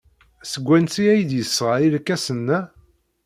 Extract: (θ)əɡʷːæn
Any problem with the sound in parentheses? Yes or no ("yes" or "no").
yes